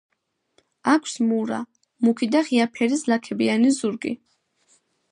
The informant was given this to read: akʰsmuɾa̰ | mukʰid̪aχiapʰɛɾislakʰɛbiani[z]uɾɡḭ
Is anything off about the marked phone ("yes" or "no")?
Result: no